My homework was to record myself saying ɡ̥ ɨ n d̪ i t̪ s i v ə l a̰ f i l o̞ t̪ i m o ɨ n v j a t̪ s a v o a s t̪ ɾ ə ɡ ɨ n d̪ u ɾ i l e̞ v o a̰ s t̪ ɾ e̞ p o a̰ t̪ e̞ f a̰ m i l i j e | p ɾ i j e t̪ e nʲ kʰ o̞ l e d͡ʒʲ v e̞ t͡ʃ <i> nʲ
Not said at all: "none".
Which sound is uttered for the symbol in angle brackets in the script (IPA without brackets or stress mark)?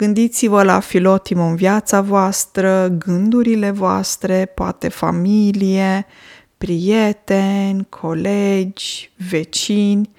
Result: i